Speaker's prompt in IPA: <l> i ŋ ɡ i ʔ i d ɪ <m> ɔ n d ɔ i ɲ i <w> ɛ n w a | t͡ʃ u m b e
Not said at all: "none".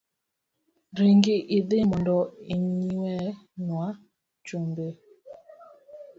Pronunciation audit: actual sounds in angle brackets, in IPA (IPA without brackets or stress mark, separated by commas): ɾ, m, w